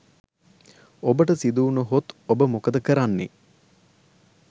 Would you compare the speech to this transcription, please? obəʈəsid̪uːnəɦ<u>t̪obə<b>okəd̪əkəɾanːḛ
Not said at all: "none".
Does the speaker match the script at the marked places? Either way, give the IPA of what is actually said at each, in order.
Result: o, m

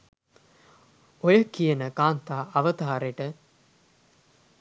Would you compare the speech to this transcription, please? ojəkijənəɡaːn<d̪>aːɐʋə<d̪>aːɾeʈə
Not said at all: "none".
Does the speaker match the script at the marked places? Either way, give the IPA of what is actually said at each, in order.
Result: t̪, t̪

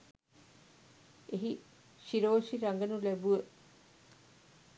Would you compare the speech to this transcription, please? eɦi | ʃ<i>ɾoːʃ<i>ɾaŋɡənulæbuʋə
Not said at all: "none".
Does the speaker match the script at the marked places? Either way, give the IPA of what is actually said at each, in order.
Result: i, i

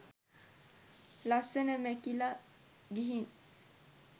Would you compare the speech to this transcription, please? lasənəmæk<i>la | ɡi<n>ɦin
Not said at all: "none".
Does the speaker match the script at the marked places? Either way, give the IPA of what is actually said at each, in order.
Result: i, none

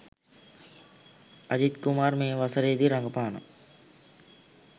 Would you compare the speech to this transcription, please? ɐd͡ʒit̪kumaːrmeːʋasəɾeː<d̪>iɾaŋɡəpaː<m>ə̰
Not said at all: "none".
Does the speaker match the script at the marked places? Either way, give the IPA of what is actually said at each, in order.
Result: d̪, n

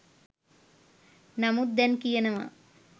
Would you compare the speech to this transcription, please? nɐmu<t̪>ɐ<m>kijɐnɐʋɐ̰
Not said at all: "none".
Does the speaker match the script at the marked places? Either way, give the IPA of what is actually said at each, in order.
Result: d̪, n

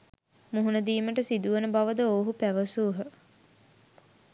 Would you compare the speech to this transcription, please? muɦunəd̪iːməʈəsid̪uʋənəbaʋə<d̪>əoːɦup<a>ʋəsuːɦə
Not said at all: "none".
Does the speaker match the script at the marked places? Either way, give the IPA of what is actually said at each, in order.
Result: d̪, æ

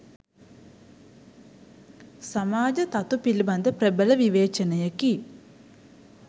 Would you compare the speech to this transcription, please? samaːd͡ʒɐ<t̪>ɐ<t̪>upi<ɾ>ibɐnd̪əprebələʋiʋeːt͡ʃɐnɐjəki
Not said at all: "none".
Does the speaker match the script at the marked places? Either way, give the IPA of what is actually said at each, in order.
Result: t̪, t̪, l

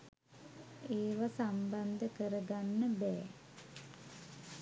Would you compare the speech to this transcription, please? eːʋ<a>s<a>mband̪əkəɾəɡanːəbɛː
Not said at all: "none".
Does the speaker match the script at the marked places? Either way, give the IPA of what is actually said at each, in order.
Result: a, a

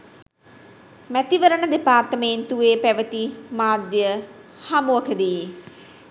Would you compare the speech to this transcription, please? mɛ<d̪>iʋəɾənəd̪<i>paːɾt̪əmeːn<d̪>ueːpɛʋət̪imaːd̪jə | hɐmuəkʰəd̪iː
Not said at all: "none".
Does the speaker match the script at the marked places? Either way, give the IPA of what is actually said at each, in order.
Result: t̪, e, t̪

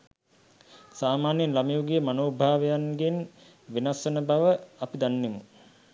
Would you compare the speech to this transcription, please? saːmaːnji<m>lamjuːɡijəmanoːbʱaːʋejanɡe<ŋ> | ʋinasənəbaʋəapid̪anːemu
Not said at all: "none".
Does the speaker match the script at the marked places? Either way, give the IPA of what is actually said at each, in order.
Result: n, n

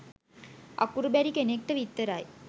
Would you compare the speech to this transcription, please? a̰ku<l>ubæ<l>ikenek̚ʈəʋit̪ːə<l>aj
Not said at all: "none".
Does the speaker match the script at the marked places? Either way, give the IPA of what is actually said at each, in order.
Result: ɾ, ɾ, ɾ

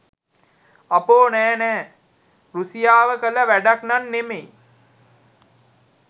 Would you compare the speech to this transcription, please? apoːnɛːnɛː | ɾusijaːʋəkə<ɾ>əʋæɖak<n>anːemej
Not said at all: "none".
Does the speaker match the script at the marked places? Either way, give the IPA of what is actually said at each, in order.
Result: l, n

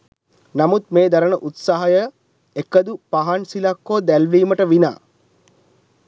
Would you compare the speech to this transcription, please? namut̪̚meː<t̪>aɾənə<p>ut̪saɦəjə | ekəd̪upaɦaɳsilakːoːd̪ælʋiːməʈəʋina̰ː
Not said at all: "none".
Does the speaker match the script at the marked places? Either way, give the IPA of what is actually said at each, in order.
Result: d̪, ʔ

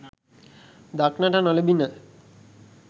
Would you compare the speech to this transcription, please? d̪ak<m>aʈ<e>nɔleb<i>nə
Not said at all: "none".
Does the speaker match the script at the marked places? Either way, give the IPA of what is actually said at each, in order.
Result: n, a, i

